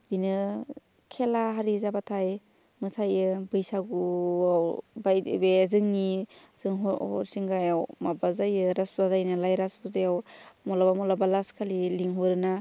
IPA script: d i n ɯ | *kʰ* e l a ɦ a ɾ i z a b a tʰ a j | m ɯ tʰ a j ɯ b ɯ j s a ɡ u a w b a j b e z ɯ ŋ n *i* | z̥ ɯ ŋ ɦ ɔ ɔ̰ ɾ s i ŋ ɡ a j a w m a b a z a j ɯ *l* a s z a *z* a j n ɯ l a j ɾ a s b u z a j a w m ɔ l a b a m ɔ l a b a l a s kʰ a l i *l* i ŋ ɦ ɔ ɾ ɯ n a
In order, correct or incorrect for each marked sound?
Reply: correct, correct, incorrect, correct, correct

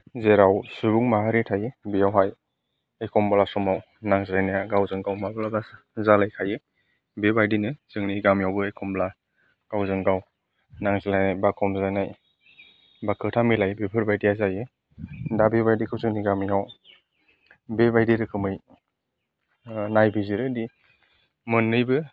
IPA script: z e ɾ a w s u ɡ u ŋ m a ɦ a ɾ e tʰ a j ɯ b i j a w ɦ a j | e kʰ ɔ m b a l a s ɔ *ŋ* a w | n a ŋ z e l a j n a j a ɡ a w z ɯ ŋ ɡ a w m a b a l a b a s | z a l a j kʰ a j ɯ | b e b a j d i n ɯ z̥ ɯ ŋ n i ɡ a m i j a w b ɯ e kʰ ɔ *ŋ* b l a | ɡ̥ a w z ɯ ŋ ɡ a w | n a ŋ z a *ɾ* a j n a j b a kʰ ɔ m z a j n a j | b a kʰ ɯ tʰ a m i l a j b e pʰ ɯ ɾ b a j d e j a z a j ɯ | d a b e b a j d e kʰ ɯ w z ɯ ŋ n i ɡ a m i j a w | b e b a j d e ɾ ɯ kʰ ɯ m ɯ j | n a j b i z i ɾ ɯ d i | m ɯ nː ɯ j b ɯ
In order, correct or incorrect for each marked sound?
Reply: incorrect, incorrect, incorrect

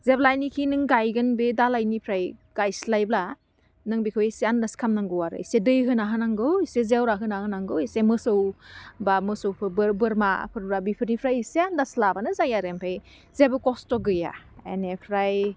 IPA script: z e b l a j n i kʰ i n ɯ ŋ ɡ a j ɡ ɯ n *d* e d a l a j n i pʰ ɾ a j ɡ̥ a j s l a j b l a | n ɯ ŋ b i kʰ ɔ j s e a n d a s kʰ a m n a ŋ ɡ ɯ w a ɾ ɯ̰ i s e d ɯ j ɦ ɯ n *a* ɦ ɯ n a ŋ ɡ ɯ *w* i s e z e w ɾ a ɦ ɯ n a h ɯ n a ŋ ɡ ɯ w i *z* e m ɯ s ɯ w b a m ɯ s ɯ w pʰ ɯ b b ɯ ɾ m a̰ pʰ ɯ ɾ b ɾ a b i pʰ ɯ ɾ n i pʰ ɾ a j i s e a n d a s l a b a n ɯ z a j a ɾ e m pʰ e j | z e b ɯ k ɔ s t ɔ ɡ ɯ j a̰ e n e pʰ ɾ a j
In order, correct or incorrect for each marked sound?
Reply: incorrect, correct, correct, incorrect

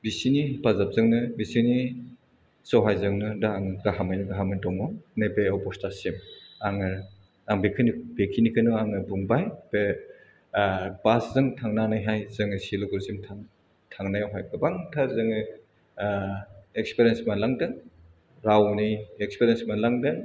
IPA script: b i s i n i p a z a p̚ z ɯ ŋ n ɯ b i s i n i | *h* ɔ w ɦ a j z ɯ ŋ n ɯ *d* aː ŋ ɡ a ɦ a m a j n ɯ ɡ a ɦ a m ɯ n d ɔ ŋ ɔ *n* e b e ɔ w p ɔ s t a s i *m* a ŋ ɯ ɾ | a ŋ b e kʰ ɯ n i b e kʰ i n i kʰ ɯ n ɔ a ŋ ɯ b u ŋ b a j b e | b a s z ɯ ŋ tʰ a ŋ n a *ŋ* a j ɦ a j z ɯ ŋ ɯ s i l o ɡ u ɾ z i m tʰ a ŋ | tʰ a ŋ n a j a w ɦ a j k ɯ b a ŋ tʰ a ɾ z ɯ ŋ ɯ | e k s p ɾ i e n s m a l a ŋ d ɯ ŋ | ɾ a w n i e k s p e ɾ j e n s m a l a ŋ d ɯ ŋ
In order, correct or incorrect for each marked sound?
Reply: incorrect, correct, correct, correct, incorrect

